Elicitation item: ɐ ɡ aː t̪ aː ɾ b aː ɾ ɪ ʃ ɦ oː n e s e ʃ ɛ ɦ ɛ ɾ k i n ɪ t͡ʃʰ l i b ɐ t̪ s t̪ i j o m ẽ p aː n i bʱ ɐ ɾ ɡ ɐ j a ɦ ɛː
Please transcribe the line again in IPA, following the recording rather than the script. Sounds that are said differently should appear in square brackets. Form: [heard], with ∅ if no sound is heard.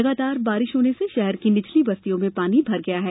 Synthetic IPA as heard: ɐ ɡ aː t̪ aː ɾ b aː ɾ ɪ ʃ ɦ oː n e s e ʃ ɛ ɦ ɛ ɾ k i n ɪ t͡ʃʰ l i b ɐ [∅] s t̪ i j [õ] m ẽ p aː n i bʱ ɐ ɾ ɡ ɐ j a ɦ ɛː